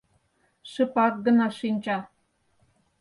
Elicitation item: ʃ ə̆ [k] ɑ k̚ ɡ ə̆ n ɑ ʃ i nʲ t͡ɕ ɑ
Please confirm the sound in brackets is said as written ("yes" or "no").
no